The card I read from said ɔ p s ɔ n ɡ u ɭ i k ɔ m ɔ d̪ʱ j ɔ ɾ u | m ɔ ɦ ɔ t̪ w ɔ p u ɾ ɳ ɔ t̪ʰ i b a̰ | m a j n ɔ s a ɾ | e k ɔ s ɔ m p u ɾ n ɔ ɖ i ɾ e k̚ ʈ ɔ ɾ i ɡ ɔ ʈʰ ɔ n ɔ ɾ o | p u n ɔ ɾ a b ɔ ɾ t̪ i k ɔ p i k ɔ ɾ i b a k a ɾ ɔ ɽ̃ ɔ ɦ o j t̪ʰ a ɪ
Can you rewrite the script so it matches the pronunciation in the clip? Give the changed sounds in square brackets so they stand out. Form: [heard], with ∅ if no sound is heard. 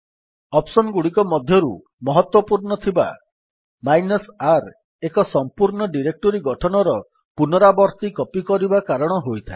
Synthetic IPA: ɔ p s ɔ n ɡ u [ɽ] i k ɔ m ɔ d̪ʱ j ɔ ɾ u | m ɔ ɦ ɔ t̪ w ɔ p u ɾ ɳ ɔ t̪ʰ i b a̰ | m a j n ɔ s a ɾ | e k ɔ s ɔ m p u ɾ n ɔ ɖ i ɾ e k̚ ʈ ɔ ɾ i ɡ ɔ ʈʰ ɔ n ɔ ɾ [ɔ] | p u n ɔ ɾ a b ɔ ɾ t̪ i k ɔ p i k ɔ ɾ i b a k a ɾ ɔ ɽ̃ ɔ ɦ o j t̪ʰ a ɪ